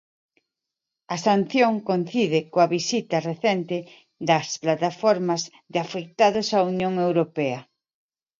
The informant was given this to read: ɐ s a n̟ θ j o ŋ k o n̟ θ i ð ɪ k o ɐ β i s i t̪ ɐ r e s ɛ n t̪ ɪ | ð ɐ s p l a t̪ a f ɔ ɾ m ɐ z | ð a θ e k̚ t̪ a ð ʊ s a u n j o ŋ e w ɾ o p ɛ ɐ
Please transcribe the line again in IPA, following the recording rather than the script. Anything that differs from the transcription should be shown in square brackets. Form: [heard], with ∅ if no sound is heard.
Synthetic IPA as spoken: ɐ s a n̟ θ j o ŋ k o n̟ θ i ð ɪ k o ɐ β i s i t̪ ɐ r e [θ] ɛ n t̪ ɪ | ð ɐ s p l a t̪ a f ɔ ɾ m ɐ z | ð a [f] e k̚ t̪ a ð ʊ s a u n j o ŋ e w ɾ o p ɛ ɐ